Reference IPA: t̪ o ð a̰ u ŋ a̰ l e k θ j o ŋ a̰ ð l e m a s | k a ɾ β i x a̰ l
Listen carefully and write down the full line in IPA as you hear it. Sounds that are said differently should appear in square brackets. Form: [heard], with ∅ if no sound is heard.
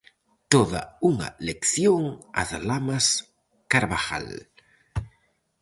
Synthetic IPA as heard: t̪ o ð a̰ u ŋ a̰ l e k θ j o ŋ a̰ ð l [a] m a s | k a ɾ β [a] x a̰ l